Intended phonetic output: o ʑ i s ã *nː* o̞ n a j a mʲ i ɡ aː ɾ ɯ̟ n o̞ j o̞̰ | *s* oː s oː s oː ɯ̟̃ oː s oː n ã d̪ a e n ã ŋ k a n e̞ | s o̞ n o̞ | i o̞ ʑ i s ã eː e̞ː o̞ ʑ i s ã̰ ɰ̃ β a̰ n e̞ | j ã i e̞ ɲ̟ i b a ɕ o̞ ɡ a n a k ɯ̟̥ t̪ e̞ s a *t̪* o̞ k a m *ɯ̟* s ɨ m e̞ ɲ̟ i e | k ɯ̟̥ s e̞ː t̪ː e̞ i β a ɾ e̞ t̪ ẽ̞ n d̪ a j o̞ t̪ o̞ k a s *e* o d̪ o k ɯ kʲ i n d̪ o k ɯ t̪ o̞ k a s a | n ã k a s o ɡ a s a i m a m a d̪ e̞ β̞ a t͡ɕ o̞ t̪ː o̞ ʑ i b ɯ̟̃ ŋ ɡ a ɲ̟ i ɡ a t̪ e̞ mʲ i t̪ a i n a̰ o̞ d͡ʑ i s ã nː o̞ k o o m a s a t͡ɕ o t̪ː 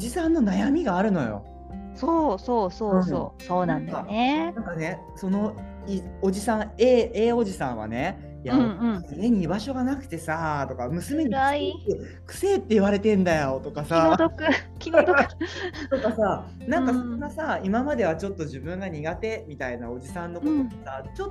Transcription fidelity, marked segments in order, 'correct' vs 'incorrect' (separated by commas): correct, correct, correct, correct, incorrect